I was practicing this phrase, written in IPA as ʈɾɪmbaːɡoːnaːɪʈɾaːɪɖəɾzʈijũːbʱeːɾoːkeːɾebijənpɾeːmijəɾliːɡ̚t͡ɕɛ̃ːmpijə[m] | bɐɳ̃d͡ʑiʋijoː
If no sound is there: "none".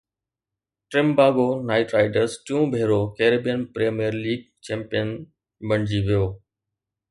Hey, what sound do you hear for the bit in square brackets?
n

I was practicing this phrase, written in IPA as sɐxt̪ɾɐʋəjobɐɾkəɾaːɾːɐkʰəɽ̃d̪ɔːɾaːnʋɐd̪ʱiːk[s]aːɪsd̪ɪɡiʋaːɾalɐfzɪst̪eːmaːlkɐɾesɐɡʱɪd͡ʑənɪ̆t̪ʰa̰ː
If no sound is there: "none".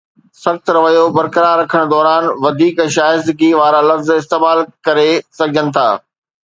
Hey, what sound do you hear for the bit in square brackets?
ʃ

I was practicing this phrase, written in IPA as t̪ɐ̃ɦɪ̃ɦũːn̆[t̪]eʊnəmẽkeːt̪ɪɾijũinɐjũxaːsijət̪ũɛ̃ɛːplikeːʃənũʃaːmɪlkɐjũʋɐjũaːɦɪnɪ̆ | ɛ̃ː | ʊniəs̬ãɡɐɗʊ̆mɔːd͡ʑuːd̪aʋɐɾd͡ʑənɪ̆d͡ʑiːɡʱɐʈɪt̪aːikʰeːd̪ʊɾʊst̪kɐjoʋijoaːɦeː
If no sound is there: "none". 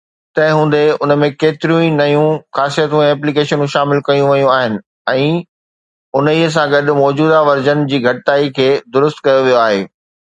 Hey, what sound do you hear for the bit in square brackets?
d̪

